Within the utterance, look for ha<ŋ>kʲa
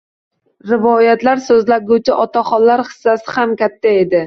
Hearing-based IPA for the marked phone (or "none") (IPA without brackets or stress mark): m